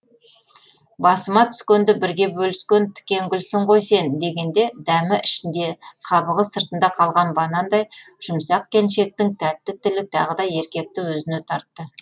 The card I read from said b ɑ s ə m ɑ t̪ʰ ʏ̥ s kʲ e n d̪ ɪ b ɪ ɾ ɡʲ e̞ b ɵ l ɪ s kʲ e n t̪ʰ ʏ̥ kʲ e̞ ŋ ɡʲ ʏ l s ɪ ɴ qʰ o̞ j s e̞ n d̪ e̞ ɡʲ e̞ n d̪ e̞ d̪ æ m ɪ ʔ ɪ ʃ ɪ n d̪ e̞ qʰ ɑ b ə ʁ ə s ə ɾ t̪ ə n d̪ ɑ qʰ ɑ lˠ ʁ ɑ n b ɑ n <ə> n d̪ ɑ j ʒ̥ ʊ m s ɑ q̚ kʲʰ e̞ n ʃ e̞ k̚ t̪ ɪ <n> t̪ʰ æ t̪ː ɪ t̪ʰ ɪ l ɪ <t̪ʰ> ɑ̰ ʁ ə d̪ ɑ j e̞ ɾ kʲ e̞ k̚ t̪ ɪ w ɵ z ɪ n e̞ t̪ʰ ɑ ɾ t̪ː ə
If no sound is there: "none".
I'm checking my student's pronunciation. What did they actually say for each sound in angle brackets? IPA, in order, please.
ɑ, ŋ, t̪ʰ

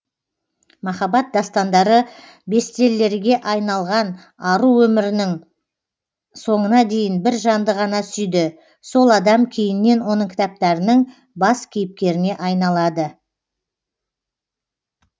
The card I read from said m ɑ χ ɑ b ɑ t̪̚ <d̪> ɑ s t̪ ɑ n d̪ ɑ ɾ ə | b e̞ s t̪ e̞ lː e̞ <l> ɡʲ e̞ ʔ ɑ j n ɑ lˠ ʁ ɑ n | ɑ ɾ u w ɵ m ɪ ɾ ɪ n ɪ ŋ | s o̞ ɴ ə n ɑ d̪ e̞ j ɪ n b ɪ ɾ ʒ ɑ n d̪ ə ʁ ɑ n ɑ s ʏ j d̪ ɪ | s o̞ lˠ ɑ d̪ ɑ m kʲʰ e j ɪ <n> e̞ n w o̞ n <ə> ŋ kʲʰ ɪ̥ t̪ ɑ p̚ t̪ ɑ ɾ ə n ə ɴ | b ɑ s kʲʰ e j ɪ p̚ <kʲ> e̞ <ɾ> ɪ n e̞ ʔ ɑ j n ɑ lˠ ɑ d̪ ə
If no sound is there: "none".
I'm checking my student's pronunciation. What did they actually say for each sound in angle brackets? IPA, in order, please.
d̪, ɾ, nː, ə, kʲ, ɾ

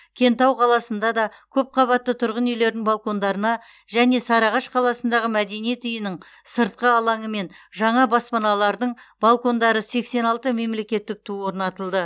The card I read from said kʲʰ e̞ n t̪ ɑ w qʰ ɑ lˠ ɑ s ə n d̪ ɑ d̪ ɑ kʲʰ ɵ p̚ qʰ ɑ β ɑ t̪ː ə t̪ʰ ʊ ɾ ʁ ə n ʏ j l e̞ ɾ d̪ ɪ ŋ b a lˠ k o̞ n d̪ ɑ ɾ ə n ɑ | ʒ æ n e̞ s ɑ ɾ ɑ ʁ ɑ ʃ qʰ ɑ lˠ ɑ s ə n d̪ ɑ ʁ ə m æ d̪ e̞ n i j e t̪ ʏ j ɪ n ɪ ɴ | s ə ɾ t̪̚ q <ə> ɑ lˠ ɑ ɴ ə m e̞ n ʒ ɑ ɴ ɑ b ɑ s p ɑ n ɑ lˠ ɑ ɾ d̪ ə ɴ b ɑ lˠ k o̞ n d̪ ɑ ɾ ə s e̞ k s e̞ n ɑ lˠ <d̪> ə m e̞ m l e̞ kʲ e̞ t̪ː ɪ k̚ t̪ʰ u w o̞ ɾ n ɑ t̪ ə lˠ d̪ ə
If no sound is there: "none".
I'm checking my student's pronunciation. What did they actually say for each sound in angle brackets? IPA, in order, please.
ə, t̪

